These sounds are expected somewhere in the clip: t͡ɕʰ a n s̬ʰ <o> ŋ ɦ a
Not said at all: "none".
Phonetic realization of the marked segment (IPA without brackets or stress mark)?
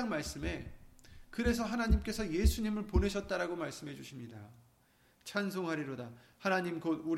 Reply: o